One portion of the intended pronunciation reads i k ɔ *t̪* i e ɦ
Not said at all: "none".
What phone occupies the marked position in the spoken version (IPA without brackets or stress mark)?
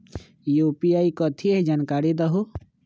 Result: t̪ʰ